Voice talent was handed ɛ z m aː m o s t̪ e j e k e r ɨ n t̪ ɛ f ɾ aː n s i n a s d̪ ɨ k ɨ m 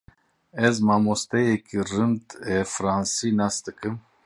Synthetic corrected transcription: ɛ z m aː m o s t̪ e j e k i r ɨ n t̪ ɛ f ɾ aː n s i n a s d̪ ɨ k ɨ m